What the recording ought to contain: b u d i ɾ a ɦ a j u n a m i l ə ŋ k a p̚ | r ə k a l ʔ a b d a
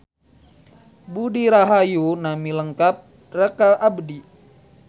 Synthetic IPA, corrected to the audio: b u d i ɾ a ɦ a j u n a m i l ə ŋ k a p̚ | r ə k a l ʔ a b d i